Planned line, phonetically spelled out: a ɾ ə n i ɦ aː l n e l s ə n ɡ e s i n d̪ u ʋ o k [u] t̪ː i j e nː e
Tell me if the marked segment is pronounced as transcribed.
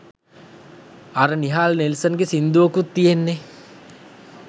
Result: yes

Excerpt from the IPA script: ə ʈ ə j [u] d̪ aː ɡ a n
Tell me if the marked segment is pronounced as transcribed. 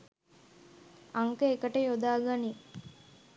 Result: no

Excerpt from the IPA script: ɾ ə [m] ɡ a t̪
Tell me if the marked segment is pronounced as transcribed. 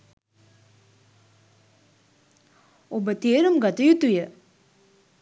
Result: yes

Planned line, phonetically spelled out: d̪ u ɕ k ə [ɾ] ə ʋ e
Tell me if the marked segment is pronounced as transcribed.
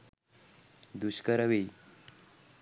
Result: yes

